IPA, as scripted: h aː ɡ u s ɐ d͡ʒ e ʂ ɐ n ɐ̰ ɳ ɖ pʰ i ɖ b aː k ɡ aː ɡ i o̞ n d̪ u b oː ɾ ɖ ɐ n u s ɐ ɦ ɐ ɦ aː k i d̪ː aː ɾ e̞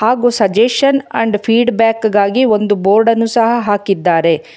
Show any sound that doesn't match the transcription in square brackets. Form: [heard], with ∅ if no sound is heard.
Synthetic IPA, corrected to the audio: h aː ɡ u s ɐ d͡ʒ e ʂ ɐ n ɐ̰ ɳ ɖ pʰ [iː] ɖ b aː k ɡ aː ɡ i o̞ n d̪ u b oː ɾ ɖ ɐ n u s ɐ ɦ ɐ ɦ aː k i d̪ː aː ɾ e̞